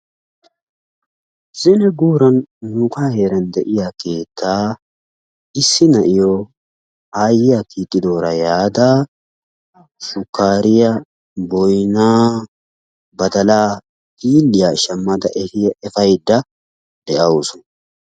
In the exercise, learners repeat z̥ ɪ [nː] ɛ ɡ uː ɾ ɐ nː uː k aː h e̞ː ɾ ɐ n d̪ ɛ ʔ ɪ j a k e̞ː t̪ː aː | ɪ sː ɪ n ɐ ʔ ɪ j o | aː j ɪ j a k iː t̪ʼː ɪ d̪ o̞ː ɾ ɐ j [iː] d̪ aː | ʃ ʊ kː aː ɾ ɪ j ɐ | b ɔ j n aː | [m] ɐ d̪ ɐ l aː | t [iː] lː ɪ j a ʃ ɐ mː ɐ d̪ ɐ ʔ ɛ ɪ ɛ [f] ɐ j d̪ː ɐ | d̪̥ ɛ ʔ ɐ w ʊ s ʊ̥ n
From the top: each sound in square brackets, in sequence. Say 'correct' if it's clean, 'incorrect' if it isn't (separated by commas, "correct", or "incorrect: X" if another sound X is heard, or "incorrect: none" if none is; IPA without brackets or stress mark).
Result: incorrect: n, incorrect: aː, incorrect: b, correct, correct